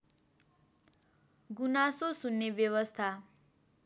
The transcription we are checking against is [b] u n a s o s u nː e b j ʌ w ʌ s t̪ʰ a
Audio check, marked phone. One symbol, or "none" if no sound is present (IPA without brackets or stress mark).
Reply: ɡ